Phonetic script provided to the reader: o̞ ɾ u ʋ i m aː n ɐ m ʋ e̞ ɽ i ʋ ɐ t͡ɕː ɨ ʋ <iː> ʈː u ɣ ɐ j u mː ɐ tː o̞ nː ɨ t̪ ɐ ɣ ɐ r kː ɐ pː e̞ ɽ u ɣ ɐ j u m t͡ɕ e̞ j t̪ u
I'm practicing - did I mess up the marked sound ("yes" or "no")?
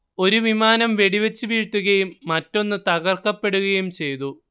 no